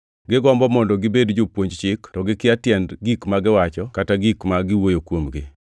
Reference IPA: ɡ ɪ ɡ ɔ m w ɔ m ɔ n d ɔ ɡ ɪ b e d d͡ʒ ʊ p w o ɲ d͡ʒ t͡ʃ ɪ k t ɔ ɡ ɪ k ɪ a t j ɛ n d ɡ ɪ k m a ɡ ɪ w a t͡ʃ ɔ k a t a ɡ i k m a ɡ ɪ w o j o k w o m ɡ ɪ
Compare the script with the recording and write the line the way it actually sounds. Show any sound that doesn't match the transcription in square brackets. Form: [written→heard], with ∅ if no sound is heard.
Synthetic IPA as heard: ɡ ɪ ɡ ɔ m [w→b] ɔ m ɔ n d ɔ ɡ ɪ b e d d͡ʒ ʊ p w o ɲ d͡ʒ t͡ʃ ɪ k t ɔ ɡ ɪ k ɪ a t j ɛ n d ɡ [ɪ→i] k m a ɡ ɪ w a t͡ʃ ɔ k a t a ɡ i k m a ɡ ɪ w o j o k w o m ɡ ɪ

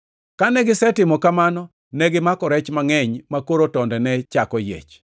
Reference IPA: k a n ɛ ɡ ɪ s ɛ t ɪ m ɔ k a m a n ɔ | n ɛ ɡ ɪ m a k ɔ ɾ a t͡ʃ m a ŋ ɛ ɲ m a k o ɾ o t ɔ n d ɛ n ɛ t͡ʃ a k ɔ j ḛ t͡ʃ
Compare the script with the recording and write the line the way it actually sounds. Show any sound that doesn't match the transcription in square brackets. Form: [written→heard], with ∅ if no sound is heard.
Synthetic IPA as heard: k a n ɛ ɡ ɪ s ɛ t ɪ m ɔ k a m a n ɔ | n ɛ ɡ ɪ m a k ɔ ɾ [a→ɛ] t͡ʃ m a ŋ ɛ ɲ m a k o ɾ o t ɔ n d ɛ n ɛ t͡ʃ a k ɔ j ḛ t͡ʃ

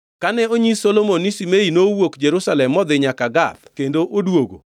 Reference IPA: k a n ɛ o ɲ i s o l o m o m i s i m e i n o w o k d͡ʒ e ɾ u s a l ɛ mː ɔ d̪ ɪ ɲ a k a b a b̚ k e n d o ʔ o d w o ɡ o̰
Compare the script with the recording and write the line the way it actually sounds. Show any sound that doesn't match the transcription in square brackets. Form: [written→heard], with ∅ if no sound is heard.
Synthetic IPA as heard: k a n ɛ o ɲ i s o l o m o [m→n] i s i m e i n o w o k d͡ʒ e ɾ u s a l ɛ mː ɔ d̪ ɪ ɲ a k a [b→ɡ] a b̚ k e n d o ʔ o d w o ɡ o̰

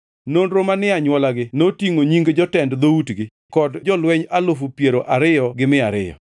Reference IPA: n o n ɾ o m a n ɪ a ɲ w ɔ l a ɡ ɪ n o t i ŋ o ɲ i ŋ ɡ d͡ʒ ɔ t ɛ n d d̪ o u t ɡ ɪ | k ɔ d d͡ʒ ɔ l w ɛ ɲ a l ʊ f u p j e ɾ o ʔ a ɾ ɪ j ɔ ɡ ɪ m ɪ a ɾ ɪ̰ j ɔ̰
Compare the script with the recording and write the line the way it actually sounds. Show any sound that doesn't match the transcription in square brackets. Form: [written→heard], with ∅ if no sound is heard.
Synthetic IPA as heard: n o n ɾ o m a n ɪ a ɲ w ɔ l a ɡ ɪ n o t i ŋ o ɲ i ŋ ɡ d͡ʒ ɔ t ɛ n d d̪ o u t ɡ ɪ | k ɔ d d͡ʒ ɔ l w ɛ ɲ a l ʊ f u p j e ɾ o ʔ a ɾ ɪ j ɔ ɡ ɪ m ɪ a ɾ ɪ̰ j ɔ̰

